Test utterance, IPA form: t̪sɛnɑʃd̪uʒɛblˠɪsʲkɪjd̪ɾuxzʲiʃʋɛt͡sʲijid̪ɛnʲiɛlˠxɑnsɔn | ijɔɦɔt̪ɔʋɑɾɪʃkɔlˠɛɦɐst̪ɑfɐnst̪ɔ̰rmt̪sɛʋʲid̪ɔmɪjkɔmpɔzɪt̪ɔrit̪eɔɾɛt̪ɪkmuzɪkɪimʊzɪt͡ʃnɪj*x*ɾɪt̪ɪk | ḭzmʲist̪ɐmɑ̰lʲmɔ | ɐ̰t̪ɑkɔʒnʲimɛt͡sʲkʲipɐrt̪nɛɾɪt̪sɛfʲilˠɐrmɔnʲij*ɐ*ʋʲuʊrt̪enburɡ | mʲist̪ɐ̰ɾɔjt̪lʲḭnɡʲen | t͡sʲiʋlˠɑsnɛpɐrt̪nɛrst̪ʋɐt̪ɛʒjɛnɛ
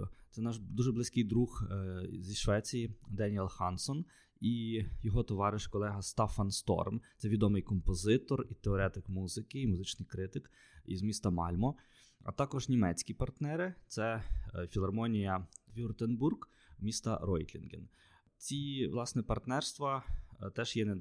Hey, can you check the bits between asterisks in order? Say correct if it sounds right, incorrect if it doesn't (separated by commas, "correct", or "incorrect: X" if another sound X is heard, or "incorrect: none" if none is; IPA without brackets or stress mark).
incorrect: k, correct